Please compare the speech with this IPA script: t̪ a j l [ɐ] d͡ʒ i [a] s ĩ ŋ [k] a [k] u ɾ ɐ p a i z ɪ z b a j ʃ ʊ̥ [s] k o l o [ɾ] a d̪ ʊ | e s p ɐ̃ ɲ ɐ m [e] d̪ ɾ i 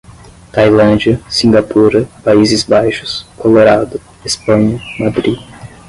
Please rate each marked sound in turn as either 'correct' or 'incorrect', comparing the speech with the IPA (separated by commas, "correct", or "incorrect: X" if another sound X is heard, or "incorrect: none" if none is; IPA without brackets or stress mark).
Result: incorrect: ɐ̃, incorrect: ɐ, incorrect: ɡ, incorrect: p, correct, correct, incorrect: a